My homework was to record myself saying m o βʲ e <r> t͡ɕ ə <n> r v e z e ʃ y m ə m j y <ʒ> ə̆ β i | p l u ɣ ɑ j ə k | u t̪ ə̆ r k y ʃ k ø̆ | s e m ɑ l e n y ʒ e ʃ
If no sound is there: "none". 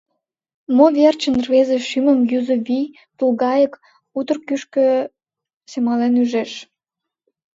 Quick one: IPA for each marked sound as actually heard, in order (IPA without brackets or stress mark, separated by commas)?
r, n, z